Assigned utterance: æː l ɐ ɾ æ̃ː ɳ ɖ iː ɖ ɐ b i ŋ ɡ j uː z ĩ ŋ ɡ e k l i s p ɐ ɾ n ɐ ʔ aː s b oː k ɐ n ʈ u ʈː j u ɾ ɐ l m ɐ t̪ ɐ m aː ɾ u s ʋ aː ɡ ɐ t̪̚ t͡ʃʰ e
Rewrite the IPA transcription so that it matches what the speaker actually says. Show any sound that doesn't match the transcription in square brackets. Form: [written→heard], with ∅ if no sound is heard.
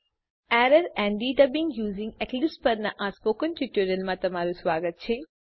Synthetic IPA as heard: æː [l→ɾ] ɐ ɾ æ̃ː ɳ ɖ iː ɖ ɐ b i ŋ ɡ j uː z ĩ ŋ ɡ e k l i s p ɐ ɾ n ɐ ʔ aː s [b→p] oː k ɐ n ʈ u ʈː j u ɾ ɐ l m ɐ t̪ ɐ m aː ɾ u s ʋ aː ɡ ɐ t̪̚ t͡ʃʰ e